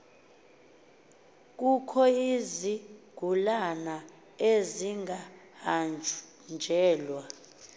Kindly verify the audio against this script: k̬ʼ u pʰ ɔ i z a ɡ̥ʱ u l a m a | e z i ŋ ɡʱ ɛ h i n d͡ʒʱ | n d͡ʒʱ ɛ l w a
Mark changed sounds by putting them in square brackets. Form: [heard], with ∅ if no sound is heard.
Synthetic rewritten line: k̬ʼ u [kʰ] ɔ i z [i] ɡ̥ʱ u l a [n] a | e z i ŋ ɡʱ [a] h [a] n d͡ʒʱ | n d͡ʒʱ [ɛː] l w a

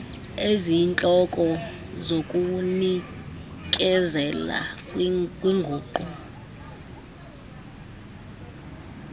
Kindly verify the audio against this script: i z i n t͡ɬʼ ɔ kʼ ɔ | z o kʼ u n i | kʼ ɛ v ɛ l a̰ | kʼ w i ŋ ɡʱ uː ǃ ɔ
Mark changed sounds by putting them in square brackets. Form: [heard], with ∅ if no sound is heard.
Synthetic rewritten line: [e] z i n t͡ɬʼ ɔ kʼ ɔ | z o kʼ u n i | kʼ ɛ [z] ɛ l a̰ | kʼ w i ŋ ɡʱ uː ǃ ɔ

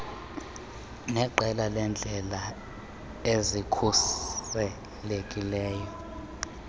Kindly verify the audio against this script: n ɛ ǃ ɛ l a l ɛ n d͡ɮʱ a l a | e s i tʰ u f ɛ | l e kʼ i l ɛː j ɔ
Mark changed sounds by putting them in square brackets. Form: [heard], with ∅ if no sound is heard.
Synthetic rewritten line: n ɛ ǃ ɛ l a l ɛ n d͡ɮʱ [ɛ] l a | e [z] i [kʰ] u [s] ɛ | l e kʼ i l ɛː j ɔ

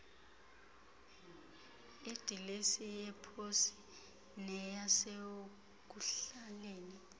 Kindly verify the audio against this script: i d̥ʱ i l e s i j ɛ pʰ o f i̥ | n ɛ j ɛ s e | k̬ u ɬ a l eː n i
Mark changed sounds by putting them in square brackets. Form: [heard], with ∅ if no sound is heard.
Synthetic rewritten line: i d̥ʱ i l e s i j ɛ pʰ o [s] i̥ | n ɛ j [a] s e | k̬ u ɬ a l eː n i

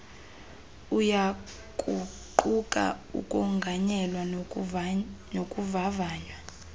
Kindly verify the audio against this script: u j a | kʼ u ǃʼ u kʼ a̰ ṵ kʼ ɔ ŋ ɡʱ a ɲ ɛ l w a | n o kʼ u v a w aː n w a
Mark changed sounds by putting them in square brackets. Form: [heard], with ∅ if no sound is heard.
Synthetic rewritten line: u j a | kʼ u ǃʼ u kʼ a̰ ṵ kʼ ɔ ŋ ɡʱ a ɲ ɛ l w a | n o kʼ u v a [v] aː [ɲ] w a

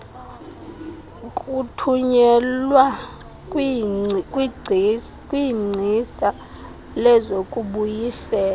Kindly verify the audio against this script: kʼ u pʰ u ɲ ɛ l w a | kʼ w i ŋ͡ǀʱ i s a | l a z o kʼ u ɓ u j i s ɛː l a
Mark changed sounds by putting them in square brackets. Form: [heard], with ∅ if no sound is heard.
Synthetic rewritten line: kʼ u [tʰ] u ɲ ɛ l w a | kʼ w i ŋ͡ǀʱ i s a | l [ɛ] z o kʼ u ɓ u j i s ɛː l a

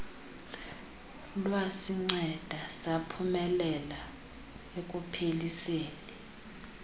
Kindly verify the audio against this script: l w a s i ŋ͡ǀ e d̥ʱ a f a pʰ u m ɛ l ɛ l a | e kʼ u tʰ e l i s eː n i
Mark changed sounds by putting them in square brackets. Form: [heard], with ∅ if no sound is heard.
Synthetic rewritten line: l w a s i ŋ͡ǀ [ɛ] d̥ʱ a [s] a pʰ u m ɛ l ɛ l a | e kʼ u [pʰ] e l i s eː n i

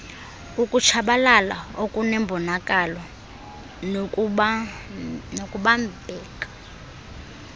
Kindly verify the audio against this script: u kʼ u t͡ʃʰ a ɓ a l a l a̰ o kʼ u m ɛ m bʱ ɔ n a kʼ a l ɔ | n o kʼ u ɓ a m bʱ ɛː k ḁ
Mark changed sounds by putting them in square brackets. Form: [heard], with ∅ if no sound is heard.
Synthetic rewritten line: u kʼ u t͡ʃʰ a ɓ a l a l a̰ o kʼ u [n] ɛ m bʱ ɔ n a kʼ a l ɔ | n o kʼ u ɓ a m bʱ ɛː k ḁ

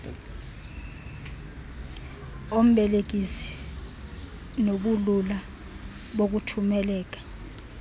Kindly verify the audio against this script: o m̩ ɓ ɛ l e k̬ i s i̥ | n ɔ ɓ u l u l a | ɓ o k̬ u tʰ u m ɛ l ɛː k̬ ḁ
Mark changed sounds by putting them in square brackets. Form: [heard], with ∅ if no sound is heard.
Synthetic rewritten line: o m̩ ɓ ɛ l e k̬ i s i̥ | n [o] ɓ u l u l a | ɓ o k̬ u tʰ u m ɛ l ɛː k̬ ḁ

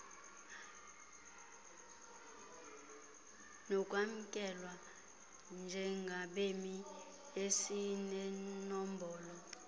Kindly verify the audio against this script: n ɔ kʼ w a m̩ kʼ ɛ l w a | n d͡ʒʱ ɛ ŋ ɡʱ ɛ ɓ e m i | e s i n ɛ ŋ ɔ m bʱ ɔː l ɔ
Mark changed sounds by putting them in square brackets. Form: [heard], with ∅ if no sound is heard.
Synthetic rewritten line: n ɔ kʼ w a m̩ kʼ ɛ l w a | n d͡ʒʱ ɛ ŋ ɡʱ [a] ɓ e m i | e s i n ɛ [n] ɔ m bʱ ɔː l ɔ

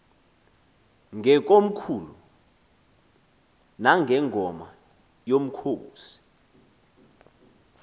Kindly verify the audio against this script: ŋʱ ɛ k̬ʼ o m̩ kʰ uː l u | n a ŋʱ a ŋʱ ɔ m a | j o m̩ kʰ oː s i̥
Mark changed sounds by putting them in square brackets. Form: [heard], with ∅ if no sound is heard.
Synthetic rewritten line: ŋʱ ɛ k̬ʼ o m̩ kʰ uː l u | n a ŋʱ [ɛ] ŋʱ ɔ m a | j o m̩ kʰ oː s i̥

